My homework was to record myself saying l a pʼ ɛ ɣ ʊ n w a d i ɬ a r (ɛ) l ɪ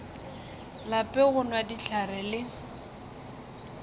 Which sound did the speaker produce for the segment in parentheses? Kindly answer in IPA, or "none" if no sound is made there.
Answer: ɛ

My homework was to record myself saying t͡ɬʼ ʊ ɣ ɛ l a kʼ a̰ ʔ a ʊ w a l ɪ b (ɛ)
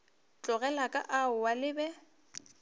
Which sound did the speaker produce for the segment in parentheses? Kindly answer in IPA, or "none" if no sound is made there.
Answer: ɛ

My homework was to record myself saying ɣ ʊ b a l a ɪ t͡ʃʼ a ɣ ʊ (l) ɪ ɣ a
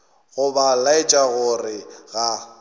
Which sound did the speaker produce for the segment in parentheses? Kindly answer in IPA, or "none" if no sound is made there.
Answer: r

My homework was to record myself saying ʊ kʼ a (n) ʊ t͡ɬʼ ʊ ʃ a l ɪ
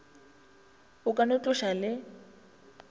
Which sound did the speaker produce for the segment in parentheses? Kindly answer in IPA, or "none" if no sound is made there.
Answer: n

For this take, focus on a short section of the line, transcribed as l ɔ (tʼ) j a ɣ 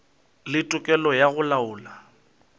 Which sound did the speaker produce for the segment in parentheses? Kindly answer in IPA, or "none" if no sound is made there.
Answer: none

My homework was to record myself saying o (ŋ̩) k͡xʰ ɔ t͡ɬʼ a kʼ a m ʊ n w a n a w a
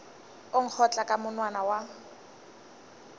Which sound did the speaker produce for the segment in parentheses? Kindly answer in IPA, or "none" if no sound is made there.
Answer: ŋ̩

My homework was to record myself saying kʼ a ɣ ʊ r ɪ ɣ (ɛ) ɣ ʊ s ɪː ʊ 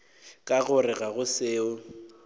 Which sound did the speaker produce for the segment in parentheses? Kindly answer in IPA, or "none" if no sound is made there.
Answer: a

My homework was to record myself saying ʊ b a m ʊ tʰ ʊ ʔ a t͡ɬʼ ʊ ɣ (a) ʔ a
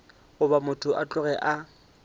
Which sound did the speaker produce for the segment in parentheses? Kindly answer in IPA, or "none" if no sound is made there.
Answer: ɛ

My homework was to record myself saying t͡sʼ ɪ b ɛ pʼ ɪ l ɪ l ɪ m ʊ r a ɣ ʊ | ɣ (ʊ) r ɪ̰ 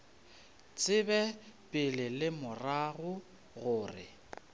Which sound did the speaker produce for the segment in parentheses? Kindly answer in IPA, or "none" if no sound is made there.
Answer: ʊː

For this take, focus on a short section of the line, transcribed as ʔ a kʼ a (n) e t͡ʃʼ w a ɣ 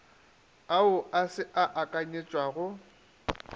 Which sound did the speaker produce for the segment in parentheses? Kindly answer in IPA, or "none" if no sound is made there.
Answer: ɲ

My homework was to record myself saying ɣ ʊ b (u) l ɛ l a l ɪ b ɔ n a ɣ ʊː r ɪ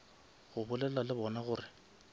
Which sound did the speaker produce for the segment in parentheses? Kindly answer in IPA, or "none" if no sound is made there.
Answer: ʊ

